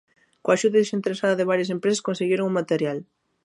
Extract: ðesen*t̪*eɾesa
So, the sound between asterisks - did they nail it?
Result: yes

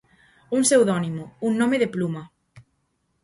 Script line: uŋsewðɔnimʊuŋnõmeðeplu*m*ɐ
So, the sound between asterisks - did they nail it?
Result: yes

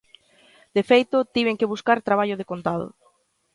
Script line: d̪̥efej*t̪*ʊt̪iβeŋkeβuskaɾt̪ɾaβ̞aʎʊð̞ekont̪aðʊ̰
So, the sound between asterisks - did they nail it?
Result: yes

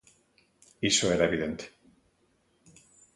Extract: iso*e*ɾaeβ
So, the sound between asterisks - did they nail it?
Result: yes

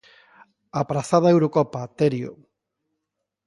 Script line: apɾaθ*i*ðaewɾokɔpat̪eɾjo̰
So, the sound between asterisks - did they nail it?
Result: no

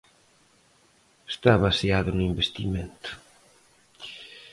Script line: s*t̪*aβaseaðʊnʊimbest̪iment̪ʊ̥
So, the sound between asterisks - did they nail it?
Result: yes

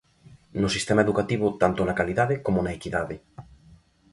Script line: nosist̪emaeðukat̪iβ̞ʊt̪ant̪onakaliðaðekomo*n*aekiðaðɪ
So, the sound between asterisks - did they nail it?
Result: yes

